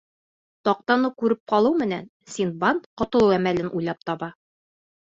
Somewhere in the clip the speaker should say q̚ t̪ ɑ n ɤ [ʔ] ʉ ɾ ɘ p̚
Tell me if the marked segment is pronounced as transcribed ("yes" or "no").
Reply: no